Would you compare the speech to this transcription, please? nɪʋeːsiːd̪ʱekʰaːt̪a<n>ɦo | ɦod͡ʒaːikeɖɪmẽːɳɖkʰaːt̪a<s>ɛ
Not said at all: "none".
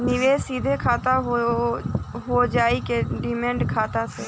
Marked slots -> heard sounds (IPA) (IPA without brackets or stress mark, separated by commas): none, s